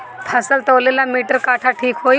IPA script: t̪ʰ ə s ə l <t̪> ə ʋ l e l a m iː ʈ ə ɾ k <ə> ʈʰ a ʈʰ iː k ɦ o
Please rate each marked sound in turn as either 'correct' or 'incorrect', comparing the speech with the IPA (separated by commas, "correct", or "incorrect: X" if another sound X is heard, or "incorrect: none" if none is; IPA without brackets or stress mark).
correct, incorrect: a